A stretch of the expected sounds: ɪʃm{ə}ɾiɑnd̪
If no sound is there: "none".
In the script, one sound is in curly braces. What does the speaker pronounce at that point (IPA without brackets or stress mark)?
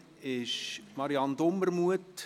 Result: ɑ